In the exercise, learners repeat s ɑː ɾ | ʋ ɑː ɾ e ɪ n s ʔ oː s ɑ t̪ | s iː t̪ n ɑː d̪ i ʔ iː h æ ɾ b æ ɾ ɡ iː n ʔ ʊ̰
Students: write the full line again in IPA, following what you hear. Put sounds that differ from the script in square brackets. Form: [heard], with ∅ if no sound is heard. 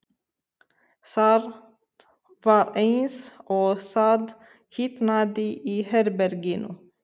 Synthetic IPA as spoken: s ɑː ɾ | ʋ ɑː ɾ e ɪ n s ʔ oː s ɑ [d̪] | [h] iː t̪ n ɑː d̪ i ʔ iː h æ ɾ b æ ɾ ɡ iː n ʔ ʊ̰